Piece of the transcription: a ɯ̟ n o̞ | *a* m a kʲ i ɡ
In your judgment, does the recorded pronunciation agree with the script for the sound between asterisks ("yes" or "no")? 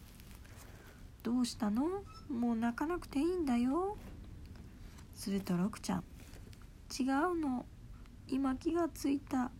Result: no